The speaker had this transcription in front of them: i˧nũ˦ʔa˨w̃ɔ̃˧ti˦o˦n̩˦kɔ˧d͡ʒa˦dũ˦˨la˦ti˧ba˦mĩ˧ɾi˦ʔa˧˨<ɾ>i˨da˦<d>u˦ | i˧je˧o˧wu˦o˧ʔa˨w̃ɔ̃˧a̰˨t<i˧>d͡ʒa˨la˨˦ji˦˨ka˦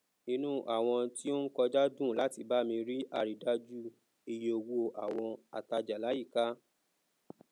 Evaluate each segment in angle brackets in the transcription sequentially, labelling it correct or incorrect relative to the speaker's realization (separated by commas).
correct, incorrect, incorrect